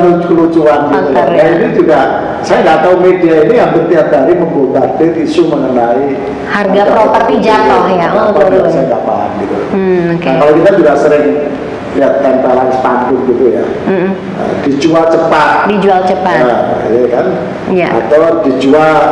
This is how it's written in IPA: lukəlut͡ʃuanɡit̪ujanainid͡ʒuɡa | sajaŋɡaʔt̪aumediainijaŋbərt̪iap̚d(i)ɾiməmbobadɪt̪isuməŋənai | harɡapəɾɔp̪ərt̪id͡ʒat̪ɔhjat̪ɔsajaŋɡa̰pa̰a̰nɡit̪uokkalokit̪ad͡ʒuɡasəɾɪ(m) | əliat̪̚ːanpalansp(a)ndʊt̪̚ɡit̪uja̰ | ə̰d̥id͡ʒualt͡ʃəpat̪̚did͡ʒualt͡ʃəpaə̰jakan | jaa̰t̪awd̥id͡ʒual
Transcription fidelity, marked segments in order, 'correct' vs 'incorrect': incorrect: a, incorrect: ŋ, correct

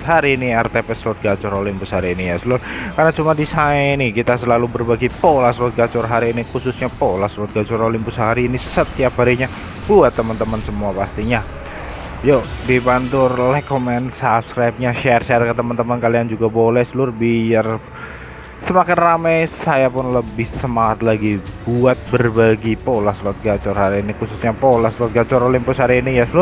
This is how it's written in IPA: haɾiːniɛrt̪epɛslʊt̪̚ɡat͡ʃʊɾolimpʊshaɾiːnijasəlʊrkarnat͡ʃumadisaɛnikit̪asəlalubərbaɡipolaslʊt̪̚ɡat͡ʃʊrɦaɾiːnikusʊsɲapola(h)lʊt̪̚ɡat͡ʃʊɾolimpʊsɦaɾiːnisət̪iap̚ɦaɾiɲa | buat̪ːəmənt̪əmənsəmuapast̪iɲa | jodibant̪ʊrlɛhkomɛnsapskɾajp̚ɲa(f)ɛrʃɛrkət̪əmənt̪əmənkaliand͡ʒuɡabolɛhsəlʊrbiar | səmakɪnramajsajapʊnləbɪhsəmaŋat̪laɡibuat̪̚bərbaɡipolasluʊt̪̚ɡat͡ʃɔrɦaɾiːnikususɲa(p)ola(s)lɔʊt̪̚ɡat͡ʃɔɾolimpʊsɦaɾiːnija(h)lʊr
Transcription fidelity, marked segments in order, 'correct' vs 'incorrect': incorrect: s, incorrect: ʃ, correct, correct, incorrect: s

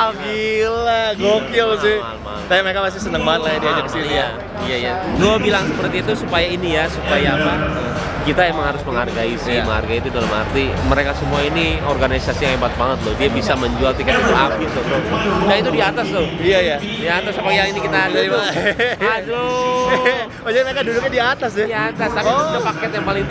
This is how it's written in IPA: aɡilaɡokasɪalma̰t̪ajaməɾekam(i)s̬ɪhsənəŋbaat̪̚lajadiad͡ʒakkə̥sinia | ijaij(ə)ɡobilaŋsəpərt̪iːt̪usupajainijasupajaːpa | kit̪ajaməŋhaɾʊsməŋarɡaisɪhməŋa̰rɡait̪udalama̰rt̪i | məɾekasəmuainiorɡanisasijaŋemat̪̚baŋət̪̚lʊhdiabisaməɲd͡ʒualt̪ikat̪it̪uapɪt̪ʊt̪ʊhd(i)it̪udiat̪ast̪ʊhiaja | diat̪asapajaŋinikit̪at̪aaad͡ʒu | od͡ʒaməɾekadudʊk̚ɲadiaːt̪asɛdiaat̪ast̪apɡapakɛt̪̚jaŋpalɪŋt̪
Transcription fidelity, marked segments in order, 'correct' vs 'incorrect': incorrect: a, incorrect: a, incorrect: a

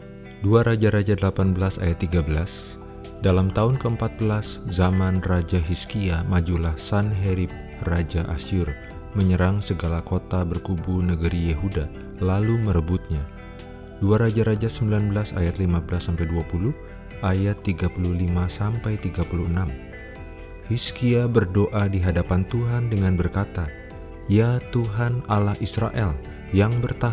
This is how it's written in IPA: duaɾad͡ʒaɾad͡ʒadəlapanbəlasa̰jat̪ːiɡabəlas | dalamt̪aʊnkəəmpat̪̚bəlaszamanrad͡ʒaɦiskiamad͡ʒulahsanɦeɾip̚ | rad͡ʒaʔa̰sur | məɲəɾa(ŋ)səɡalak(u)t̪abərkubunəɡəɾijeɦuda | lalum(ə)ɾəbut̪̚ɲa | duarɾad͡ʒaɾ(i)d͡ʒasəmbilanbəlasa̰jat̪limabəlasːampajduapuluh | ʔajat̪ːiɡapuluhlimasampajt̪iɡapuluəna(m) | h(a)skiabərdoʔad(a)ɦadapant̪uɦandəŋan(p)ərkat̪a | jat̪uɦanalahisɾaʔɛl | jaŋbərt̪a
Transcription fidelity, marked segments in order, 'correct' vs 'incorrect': correct, incorrect: o, correct, incorrect: a, correct, incorrect: i, incorrect: i, incorrect: b

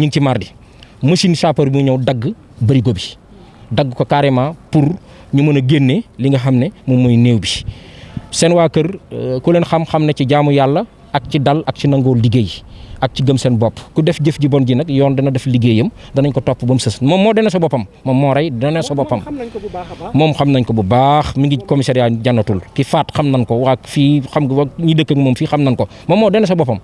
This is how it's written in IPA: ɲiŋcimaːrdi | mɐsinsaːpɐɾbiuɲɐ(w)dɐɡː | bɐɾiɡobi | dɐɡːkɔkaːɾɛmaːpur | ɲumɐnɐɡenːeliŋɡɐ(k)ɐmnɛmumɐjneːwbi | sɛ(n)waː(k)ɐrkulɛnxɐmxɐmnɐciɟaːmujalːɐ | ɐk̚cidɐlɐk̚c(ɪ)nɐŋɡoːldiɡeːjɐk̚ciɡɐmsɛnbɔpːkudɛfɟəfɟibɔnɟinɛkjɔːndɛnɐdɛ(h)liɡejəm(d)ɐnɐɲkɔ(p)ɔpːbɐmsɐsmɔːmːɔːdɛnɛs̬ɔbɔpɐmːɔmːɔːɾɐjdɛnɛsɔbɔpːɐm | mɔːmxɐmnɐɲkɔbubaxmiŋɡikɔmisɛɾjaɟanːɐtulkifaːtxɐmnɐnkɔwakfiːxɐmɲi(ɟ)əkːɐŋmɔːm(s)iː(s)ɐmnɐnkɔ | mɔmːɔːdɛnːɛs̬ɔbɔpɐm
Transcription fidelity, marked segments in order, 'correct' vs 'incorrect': correct, incorrect: x, correct, correct, incorrect: i, incorrect: f, correct, incorrect: t, incorrect: d, incorrect: f, incorrect: x

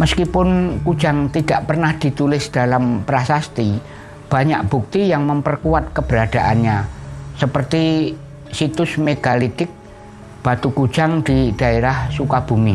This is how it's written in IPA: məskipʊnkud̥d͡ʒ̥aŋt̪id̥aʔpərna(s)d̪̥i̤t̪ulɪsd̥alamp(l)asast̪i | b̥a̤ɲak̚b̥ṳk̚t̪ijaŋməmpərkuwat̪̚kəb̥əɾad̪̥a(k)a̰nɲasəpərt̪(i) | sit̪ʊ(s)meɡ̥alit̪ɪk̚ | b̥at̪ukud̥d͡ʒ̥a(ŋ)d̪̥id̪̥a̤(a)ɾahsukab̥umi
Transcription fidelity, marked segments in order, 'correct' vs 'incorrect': incorrect: h, incorrect: ɾ, incorrect: ʔ, correct, correct, correct, incorrect: e

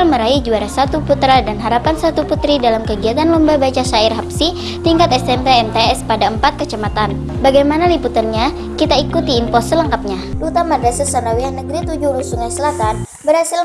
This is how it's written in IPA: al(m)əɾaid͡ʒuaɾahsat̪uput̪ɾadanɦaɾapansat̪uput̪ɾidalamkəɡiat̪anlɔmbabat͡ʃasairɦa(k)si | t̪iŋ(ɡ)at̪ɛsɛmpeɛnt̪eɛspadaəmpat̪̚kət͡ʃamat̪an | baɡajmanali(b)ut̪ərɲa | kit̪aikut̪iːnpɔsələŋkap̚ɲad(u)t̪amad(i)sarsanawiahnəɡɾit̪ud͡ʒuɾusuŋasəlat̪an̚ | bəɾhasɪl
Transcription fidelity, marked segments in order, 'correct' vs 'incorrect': correct, incorrect: p, incorrect: k, incorrect: p, correct, incorrect: a

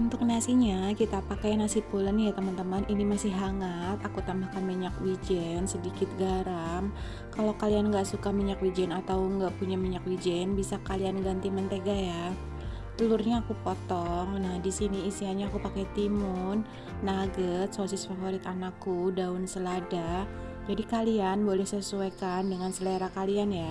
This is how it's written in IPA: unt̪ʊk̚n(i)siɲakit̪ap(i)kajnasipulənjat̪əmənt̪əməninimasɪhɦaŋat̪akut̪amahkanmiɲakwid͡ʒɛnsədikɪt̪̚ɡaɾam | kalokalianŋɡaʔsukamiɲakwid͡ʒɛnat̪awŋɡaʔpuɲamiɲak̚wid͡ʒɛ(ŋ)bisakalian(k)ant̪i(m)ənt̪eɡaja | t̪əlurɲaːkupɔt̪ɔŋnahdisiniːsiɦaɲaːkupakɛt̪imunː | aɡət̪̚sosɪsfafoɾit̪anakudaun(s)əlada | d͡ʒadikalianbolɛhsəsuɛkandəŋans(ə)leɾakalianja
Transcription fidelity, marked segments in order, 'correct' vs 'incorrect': incorrect: a, incorrect: a, incorrect: n, incorrect: ɡ, correct, correct, correct

